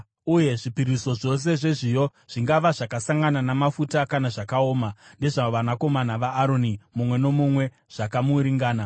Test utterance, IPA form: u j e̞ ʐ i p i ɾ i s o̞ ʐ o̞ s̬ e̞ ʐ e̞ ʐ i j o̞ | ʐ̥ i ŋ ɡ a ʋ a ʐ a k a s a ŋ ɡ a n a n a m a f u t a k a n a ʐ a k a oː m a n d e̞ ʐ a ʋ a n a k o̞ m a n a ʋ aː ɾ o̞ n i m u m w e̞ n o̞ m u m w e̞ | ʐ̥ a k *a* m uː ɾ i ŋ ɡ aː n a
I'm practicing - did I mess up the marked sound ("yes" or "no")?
no